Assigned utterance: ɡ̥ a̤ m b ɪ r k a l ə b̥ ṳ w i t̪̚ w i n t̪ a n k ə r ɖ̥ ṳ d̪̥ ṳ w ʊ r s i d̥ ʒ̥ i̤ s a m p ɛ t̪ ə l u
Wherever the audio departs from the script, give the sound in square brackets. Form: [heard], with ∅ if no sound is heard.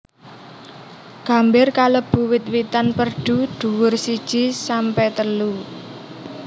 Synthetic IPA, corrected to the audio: ɡ̥ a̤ m b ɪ r k a l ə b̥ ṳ w [ɪ] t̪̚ w i [∅] t̪ a n [p] ə r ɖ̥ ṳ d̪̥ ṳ w ʊ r s i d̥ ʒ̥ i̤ s a m p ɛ t̪ ə l u